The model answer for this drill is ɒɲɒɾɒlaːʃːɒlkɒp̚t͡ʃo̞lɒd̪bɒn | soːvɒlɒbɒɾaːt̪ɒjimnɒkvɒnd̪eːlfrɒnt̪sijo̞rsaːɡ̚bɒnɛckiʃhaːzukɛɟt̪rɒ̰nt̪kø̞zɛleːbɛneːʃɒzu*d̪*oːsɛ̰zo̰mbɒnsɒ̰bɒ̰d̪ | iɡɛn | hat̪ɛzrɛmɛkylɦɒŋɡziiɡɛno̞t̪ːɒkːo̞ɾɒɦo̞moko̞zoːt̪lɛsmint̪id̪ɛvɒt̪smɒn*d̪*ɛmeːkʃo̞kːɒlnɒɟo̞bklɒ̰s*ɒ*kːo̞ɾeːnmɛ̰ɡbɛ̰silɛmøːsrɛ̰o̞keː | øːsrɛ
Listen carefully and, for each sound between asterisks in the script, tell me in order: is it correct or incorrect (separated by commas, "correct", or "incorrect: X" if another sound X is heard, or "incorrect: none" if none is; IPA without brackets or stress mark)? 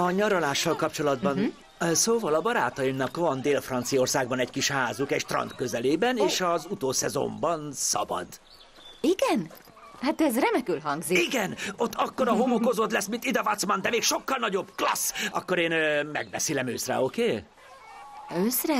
incorrect: t̪, correct, correct